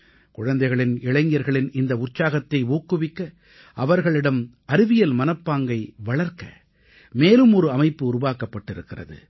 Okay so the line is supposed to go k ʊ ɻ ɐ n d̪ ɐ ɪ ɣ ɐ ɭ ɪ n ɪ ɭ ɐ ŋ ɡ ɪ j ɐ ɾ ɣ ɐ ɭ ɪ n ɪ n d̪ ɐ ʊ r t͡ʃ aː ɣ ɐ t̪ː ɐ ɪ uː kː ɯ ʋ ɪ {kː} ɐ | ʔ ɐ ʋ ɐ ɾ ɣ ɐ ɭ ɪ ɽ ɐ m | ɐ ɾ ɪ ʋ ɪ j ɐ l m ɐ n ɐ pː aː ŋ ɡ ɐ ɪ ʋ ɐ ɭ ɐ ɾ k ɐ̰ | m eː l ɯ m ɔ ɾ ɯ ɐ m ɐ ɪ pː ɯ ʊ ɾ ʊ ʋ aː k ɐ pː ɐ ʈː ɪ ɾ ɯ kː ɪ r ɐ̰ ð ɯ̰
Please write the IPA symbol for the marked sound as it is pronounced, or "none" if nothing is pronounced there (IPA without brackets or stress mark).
kː